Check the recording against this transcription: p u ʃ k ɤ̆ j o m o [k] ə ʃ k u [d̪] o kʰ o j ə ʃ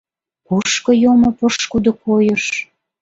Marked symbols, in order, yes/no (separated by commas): no, yes